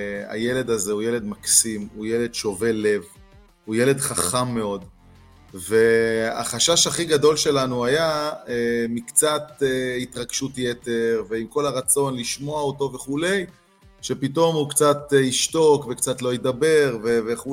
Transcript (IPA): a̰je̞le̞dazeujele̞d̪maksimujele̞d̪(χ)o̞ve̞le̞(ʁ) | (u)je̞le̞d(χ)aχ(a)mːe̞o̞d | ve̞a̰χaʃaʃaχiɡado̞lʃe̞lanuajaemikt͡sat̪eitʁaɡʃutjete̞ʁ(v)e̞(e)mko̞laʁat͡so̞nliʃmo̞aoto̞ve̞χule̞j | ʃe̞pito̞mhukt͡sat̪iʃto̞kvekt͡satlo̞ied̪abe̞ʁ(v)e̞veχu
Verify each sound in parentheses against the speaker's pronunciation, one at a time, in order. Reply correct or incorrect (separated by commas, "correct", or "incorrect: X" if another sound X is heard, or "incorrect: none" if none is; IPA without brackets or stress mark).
incorrect: ʃ, incorrect: v, correct, correct, correct, correct, incorrect: i, correct